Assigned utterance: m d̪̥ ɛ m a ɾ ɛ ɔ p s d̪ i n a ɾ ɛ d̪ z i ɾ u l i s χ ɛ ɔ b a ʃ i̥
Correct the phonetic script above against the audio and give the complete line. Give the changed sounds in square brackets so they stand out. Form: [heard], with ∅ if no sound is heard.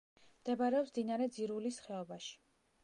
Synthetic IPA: m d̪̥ ɛ [b] a ɾ ɛ ɔ p s d̪ i n a ɾ ɛ d̪ z i ɾ u l i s χ ɛ ɔ b a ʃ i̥